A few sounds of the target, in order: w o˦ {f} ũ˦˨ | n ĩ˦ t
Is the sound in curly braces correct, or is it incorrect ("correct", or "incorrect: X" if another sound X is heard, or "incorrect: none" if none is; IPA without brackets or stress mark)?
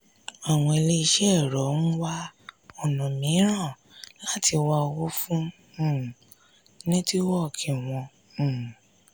correct